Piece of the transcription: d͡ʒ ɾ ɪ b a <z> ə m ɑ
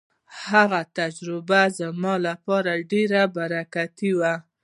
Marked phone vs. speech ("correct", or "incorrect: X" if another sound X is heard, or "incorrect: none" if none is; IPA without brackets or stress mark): correct